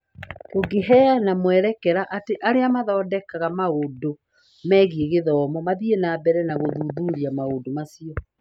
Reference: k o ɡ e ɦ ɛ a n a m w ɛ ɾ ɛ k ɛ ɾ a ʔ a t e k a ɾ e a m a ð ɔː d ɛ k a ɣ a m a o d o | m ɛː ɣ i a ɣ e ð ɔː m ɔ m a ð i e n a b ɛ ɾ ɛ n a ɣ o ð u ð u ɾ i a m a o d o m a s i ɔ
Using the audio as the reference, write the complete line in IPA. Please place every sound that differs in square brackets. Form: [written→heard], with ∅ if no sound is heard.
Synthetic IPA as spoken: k o ɡ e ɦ ɛ a n a m w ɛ ɾ ɛ k ɛ ɾ a ʔ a t e [k→ʔ] a ɾ e a m a ð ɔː d ɛ k a ɣ a m a o d o | m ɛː ɣ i [a→e] ɣ e ð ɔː m ɔ m a ð i e n a b ɛ ɾ ɛ n a ɣ o ð u ð u ɾ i a m a o d o m a s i ɔ